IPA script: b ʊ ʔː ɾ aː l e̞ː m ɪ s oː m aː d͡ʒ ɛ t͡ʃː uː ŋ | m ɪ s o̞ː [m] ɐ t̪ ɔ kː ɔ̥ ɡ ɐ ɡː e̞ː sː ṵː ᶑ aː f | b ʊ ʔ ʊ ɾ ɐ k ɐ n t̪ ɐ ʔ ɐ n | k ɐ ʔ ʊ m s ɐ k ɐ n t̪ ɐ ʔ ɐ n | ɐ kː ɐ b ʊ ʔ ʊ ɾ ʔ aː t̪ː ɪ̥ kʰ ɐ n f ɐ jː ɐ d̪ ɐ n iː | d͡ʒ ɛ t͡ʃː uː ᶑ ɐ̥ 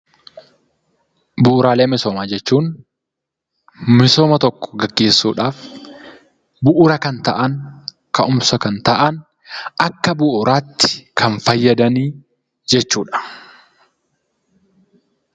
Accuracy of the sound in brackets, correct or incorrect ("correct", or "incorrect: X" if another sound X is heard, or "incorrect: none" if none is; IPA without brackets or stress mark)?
correct